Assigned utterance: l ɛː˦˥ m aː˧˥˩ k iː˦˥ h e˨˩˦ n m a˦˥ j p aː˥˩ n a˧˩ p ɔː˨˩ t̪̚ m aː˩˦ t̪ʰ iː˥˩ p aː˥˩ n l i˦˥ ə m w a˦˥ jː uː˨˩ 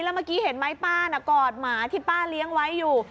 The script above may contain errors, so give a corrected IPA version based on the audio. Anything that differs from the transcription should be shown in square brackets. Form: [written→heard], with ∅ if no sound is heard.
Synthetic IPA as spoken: l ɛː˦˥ m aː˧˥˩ k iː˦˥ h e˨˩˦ n m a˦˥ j p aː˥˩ n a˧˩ [p→k] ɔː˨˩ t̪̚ m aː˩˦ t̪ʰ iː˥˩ p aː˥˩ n l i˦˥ ə [m→ŋ] w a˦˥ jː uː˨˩